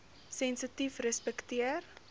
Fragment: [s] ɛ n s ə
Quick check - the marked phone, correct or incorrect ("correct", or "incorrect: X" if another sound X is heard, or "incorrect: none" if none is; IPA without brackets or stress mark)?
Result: correct